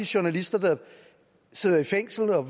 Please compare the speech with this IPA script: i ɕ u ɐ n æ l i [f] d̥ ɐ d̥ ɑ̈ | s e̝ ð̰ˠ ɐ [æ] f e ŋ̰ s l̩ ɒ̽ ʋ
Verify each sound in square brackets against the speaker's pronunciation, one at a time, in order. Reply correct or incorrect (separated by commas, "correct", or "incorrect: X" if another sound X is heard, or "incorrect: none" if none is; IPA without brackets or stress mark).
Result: incorrect: s, incorrect: i